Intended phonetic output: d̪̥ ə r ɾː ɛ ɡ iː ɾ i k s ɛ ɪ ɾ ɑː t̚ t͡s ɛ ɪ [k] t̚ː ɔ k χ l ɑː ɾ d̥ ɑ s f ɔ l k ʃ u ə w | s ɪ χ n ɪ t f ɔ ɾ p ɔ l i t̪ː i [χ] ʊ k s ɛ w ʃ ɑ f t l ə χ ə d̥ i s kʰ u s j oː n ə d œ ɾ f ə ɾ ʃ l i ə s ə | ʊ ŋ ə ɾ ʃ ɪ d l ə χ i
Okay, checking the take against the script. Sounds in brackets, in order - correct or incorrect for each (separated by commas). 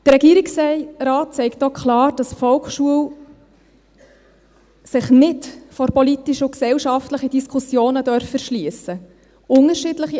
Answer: correct, incorrect